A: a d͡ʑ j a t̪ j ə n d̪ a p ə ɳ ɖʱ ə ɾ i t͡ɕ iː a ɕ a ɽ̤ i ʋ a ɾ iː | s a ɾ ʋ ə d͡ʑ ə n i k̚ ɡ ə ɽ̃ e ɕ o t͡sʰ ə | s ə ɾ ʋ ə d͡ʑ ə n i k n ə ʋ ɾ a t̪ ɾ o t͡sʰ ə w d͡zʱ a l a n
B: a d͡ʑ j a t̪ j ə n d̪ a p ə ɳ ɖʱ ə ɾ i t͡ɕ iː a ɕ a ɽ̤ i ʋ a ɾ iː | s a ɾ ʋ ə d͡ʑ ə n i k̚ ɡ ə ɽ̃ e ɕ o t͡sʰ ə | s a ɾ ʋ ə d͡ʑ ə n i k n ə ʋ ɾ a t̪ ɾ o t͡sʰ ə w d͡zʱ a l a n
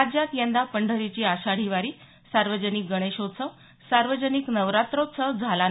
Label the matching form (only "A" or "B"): B